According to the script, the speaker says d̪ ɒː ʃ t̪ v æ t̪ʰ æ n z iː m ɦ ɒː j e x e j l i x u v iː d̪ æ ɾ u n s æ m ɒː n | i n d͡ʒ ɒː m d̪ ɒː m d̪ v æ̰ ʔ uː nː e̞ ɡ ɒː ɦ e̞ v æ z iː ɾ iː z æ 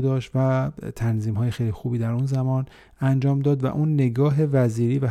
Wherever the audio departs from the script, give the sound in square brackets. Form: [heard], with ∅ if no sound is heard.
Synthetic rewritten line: d̪ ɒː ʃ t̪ v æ t̪ʰ æ n z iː m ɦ ɒː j e x e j l i x u [b] iː d̪ æ ɾ u n [z] æ m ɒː n | [æ] n d͡ʒ ɒː m d̪ ɒː [∅] d̪ v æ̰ ʔ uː nː e̞ ɡ ɒː ɦ e̞ v æ z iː ɾ iː [v] æ